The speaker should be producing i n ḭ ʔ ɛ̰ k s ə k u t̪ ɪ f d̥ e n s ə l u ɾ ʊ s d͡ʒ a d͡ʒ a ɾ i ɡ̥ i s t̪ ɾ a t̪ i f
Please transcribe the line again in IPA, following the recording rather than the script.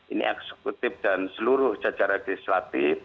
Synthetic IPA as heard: i n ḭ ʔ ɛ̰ k s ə k u t̪ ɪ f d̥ a n s ə l u ɾ ʊ h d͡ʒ a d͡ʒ a ɾ a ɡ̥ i s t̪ ɾ a t̪ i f